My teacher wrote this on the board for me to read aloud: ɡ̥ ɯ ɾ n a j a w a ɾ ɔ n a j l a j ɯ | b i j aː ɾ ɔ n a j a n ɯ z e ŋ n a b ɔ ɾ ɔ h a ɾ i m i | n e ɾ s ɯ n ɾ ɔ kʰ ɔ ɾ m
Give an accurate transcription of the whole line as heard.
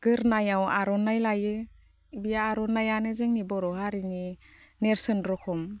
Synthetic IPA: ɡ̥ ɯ ɾ n a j a w a ɾ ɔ n a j l a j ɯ | b i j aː ɾ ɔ n a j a n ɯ z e ŋ n i b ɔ ɾ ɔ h a ɾ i n i | n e ɾ s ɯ n ɾ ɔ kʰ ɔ m